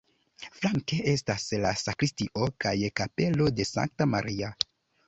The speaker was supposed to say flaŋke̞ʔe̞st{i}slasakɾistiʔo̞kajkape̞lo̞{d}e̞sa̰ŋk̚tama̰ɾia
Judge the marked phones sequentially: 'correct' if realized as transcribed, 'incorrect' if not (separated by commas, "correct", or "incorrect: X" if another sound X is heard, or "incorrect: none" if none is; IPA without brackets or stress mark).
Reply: incorrect: a, correct